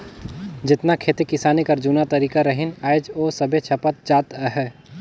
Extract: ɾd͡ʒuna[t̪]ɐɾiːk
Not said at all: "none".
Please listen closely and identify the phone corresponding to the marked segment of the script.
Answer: t̪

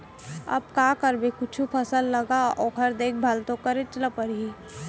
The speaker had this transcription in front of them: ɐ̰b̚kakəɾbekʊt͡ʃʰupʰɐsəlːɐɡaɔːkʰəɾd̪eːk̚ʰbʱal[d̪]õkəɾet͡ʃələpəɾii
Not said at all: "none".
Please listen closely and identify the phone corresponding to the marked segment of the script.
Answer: t̪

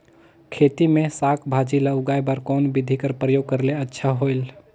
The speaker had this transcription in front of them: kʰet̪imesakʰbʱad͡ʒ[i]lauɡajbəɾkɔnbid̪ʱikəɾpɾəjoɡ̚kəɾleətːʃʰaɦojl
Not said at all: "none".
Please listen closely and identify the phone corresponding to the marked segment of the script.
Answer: i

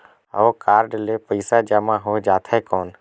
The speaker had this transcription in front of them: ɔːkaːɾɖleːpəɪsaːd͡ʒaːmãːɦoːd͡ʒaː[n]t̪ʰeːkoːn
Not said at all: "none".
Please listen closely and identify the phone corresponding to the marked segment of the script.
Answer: none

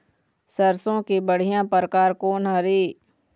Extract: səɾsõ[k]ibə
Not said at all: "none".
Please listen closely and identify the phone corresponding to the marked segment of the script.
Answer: k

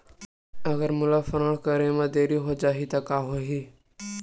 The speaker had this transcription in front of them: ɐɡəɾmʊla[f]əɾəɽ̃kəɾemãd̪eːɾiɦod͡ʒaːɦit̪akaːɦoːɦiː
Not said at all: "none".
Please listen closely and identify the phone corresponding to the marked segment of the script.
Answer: f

